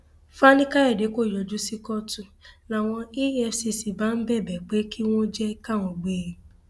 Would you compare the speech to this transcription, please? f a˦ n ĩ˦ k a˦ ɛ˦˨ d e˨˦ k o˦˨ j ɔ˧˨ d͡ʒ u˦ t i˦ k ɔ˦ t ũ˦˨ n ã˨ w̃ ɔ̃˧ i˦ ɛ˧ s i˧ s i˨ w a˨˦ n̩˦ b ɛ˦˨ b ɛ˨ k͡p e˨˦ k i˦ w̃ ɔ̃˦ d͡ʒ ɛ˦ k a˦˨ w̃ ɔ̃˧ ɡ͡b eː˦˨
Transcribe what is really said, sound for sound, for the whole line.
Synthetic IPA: f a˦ n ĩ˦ k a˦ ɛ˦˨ d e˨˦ k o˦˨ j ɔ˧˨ d͡ʒ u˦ s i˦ k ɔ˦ t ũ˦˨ n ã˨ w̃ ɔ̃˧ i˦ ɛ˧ s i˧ s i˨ b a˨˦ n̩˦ b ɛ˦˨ b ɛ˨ k͡p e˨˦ k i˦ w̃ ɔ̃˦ d͡ʒ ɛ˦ k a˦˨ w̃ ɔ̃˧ ɡ͡b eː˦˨